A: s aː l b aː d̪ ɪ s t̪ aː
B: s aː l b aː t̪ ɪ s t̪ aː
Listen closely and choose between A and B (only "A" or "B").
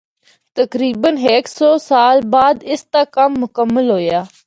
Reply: A